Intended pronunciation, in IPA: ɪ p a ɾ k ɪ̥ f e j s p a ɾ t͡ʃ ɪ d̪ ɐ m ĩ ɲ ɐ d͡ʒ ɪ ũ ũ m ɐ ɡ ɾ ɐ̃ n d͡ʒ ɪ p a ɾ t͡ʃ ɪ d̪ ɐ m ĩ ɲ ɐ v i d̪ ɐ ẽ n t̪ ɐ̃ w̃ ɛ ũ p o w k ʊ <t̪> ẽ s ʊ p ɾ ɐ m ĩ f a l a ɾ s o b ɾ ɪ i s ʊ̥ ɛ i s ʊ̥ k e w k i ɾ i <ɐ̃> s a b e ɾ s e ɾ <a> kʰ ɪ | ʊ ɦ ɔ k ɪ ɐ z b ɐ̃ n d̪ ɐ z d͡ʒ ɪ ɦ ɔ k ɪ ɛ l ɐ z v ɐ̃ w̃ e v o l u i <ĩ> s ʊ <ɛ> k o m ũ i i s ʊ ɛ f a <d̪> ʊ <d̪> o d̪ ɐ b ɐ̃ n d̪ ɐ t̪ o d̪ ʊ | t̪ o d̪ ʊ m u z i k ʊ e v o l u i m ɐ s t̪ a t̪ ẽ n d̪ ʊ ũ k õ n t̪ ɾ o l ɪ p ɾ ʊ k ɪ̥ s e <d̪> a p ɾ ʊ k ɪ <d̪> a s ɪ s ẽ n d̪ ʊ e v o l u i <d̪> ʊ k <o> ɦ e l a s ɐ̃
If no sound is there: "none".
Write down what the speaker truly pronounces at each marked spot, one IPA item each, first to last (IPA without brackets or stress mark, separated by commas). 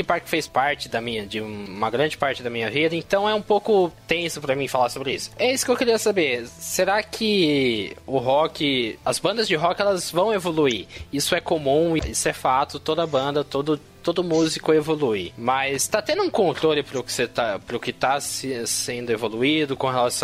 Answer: t̪, ɐ, a, i, ɛ, t̪, t̪, t̪, t̪, d̪, õ